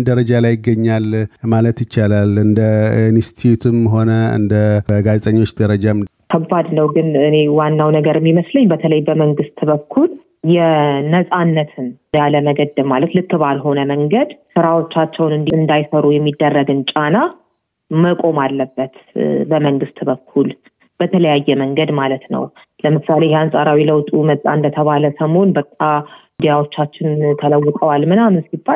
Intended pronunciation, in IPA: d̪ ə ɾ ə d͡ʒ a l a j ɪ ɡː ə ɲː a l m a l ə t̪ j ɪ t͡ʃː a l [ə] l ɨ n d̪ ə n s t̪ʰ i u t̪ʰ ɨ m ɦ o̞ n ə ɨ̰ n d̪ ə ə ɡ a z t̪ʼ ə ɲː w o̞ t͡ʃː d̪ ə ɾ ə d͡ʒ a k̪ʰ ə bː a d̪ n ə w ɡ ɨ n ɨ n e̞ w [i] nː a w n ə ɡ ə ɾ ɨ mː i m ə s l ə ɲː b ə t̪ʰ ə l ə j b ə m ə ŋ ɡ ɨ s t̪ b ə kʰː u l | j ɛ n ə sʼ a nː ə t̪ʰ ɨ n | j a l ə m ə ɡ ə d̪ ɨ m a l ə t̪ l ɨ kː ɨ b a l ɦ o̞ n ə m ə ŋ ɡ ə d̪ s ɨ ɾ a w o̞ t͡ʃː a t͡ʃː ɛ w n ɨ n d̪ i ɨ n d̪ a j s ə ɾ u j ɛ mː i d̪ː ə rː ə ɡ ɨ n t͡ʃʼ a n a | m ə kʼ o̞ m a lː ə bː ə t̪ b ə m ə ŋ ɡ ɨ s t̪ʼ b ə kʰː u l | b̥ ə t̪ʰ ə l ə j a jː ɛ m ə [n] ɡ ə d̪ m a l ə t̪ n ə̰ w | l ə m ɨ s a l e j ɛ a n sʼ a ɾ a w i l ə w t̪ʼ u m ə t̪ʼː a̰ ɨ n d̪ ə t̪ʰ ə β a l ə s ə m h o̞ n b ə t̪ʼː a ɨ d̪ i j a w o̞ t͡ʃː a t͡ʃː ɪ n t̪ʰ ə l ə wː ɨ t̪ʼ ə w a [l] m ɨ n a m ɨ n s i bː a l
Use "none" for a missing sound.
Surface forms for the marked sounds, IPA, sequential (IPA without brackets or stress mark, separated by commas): a, a, ŋ, l